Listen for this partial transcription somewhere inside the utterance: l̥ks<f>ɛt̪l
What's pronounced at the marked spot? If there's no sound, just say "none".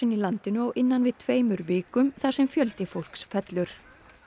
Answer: f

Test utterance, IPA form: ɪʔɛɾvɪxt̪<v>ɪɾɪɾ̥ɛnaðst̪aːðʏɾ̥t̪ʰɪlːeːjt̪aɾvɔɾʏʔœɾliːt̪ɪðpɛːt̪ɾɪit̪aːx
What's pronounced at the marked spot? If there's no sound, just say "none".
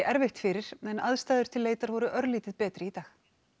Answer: f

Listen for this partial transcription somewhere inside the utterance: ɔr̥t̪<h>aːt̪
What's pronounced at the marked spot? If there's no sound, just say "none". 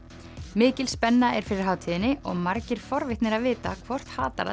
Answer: h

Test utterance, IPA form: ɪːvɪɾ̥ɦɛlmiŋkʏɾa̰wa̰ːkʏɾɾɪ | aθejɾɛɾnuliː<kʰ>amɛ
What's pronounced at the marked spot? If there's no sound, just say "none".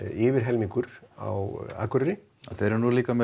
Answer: k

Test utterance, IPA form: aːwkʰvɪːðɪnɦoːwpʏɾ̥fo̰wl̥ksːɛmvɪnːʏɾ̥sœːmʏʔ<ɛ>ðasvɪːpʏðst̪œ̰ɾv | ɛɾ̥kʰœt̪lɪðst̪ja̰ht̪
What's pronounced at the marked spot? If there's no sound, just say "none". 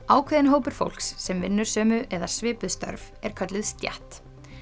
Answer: ɛ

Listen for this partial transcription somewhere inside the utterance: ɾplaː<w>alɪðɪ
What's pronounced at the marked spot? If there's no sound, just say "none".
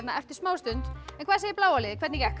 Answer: w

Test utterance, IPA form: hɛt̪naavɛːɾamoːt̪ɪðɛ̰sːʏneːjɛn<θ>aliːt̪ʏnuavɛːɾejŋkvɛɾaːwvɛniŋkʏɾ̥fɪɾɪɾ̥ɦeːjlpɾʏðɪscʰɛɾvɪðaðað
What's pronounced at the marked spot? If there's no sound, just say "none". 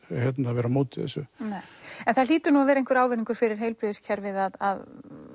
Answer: θ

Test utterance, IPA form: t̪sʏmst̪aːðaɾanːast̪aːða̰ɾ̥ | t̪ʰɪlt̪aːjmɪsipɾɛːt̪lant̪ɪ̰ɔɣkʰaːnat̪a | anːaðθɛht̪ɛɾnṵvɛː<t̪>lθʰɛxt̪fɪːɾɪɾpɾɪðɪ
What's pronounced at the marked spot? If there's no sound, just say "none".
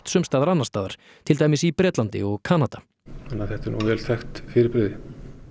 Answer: none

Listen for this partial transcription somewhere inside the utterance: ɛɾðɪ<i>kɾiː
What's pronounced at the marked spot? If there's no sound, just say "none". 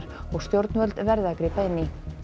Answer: a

